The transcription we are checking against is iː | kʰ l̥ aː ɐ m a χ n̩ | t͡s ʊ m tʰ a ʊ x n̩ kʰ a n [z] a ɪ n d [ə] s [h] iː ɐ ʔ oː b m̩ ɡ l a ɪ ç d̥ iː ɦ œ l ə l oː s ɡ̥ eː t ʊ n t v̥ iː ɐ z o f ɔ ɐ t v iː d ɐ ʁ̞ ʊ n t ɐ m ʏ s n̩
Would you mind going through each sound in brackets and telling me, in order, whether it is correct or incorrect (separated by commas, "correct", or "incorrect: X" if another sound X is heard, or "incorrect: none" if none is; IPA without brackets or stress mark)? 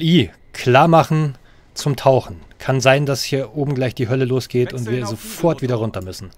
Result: correct, incorrect: a, correct